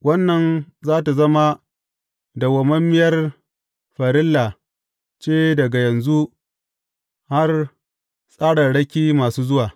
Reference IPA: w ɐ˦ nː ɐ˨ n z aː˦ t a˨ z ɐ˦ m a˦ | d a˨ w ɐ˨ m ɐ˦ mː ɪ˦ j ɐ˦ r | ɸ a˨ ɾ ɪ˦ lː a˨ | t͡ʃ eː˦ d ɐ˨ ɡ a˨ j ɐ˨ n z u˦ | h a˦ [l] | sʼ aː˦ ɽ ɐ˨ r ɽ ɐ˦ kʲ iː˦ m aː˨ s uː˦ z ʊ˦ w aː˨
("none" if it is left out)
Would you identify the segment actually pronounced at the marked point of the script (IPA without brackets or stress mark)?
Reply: r